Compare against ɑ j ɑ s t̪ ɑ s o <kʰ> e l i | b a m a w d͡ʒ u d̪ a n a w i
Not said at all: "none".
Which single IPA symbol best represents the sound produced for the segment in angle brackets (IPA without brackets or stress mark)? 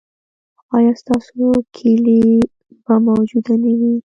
kʰ